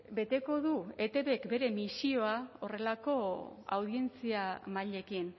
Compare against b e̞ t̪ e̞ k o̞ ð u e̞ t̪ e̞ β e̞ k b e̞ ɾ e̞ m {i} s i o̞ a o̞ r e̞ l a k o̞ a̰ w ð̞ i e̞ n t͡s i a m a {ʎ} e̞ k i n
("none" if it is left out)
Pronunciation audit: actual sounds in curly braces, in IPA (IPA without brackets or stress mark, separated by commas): i, ʎ